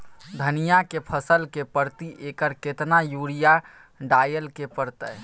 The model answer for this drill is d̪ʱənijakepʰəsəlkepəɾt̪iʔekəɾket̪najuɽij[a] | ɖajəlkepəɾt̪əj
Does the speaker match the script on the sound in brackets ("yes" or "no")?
yes